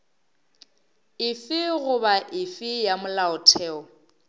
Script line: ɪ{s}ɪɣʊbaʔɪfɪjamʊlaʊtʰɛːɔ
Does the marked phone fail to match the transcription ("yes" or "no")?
yes